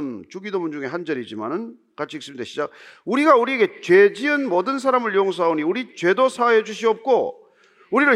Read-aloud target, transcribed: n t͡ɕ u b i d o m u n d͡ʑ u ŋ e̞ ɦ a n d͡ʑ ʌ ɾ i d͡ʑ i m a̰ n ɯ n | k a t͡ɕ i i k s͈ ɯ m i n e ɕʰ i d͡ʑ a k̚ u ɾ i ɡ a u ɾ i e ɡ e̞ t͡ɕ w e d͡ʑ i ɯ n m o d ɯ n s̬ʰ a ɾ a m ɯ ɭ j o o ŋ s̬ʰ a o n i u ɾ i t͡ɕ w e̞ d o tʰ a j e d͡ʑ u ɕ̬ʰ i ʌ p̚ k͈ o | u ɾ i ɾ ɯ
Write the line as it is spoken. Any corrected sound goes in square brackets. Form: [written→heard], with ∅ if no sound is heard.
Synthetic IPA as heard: n t͡ɕ u [b→ɡ] i d o m u n d͡ʑ u ŋ e̞ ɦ a n d͡ʑ ʌ ɾ i d͡ʑ i m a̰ n ɯ n | k a [t͡ɕ→t͡ɕʰ] i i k s͈ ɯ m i [n→d] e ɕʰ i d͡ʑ a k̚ u ɾ i ɡ a u ɾ i e ɡ e̞ t͡ɕ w e d͡ʑ i ɯ n m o d ɯ n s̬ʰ a ɾ a m ɯ ɭ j o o ŋ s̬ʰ a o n i u ɾ i t͡ɕ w e̞ d o [tʰ→sʰ] a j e d͡ʑ u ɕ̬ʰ i ʌ p̚ k͈ o | u ɾ i ɾ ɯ